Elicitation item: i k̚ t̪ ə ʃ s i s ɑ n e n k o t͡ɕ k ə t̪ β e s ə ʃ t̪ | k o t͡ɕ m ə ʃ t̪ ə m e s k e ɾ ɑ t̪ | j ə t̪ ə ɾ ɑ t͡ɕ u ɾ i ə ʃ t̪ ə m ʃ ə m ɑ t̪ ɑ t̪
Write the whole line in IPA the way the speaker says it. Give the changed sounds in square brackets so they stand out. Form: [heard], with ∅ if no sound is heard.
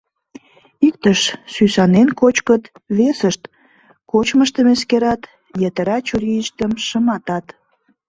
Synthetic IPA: i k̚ t̪ ə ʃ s [y] s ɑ n e n k o t͡ɕ k ə t̪ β e s ə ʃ t̪ | k o t͡ɕ m ə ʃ t̪ ə m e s k e ɾ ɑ t̪ | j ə t̪ ə ɾ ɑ t͡ɕ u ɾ i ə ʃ t̪ ə m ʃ ə m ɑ t̪ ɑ t̪